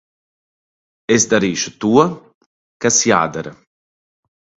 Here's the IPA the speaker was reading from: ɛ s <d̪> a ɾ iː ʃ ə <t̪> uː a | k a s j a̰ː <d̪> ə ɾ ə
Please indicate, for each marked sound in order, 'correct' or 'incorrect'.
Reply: correct, correct, correct

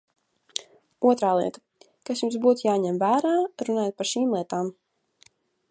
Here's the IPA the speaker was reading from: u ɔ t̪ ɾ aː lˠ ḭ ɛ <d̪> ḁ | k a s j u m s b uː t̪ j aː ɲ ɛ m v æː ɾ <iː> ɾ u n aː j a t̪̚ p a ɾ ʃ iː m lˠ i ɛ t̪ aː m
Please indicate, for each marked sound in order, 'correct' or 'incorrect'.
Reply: incorrect, incorrect

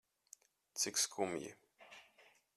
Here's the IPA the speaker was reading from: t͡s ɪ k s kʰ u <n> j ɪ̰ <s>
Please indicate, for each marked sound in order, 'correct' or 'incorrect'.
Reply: incorrect, incorrect

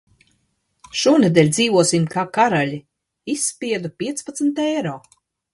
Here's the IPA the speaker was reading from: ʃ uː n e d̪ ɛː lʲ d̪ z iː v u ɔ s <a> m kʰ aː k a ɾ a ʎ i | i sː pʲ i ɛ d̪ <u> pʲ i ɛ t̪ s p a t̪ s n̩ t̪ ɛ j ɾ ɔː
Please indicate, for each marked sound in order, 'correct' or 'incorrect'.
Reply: incorrect, correct

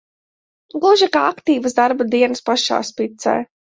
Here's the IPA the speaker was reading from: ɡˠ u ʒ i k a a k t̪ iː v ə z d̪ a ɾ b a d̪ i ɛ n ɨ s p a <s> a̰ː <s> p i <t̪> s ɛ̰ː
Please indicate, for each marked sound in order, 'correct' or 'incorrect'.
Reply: incorrect, correct, correct

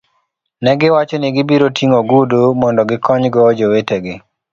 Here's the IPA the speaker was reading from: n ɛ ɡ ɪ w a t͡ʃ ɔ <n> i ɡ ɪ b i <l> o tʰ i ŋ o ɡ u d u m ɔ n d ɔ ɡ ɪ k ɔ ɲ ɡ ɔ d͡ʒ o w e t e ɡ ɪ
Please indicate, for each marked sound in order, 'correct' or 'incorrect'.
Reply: correct, incorrect

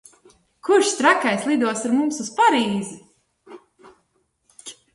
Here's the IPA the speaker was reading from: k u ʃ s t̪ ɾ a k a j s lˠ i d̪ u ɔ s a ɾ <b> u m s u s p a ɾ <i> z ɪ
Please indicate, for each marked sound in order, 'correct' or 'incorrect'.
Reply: incorrect, incorrect

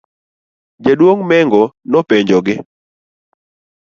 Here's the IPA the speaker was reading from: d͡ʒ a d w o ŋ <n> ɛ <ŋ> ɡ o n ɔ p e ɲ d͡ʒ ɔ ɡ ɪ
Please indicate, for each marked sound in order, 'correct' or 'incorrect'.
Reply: incorrect, correct

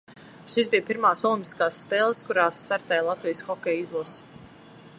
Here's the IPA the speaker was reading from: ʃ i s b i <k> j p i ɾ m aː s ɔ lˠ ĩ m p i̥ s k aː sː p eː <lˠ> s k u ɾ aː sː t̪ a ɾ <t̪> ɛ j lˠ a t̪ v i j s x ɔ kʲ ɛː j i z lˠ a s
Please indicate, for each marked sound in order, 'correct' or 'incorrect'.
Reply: incorrect, correct, correct

